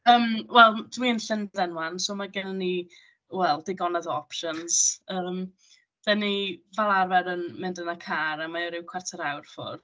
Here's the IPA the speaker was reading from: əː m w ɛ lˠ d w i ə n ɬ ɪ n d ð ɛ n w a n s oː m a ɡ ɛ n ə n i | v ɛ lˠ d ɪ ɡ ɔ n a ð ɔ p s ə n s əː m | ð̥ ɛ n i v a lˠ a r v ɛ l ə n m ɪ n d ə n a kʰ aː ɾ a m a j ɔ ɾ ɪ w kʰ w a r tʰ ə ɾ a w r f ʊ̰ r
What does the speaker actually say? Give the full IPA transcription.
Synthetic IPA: əː m w ɛ lˠ d w i ə n ɬ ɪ n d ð ɛ n w a n s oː m a ɡ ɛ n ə n i | w ɛ lˠ d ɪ ɡ ɔ n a ð ɔ p ʃ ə n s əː m | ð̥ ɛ n i v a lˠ a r v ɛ ɾ ə n m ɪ n d ə n a kʰ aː ɾ a m a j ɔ ɾ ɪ w kʰ w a r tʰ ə ɾ a w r f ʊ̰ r